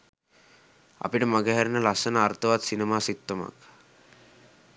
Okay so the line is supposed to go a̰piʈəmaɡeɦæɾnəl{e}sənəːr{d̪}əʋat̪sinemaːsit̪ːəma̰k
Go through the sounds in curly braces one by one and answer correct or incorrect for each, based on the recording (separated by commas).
incorrect, incorrect